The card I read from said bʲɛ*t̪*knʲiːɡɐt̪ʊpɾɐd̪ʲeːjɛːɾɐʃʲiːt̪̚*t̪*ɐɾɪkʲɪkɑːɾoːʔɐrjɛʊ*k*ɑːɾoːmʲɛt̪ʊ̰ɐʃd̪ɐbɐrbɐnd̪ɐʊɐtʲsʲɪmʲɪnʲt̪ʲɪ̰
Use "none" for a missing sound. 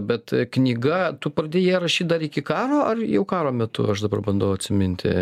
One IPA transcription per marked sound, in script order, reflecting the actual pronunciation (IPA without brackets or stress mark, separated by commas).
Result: t̪, d̪, k